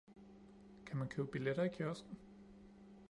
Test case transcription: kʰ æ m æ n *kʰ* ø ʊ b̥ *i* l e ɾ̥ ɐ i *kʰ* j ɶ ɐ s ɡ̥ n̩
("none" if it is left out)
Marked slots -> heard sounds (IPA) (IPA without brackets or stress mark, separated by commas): kʰ, i, kʰ